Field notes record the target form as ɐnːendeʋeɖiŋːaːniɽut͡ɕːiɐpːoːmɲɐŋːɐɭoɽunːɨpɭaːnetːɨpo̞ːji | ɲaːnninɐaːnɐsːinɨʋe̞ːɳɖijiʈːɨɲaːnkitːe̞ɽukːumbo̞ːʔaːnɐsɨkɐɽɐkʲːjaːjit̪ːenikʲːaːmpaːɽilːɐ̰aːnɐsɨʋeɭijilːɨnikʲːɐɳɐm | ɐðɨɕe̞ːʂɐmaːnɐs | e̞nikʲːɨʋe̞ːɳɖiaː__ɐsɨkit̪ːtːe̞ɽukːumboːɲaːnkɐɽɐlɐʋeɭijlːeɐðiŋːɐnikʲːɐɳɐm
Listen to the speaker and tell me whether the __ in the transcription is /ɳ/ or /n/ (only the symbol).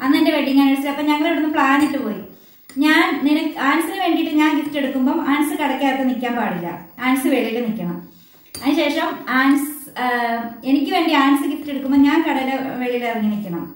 n